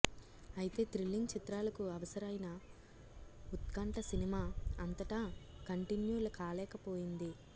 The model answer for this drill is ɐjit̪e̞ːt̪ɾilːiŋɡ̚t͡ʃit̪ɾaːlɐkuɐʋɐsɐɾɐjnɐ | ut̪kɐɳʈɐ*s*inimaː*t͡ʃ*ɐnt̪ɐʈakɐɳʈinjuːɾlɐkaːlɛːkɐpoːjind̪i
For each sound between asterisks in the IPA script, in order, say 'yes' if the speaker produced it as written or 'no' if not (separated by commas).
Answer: yes, no